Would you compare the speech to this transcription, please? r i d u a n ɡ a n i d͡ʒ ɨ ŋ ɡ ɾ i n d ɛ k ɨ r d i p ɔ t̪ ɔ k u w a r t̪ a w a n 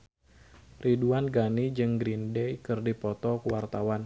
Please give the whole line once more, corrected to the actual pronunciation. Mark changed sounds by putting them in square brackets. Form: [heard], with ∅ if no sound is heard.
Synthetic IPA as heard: r i d u a n ɡ a n i d͡ʒ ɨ ŋ ɡ ɾ i n d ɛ k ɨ r d i p ɔ t̪ ɔ k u w a r t̪ a w a n